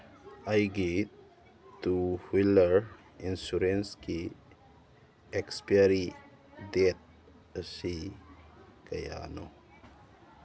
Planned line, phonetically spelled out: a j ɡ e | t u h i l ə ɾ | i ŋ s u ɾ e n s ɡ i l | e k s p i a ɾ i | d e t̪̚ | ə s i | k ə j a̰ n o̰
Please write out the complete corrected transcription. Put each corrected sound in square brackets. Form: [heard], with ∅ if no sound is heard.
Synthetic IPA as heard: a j ɡ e | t u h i l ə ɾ | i [n] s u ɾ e n s [k] i [∅] | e k s p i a ɾ i | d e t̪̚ | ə s i | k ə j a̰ n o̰